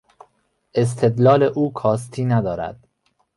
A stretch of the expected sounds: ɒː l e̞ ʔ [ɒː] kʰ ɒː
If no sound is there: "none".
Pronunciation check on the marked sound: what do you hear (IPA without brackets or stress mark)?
uː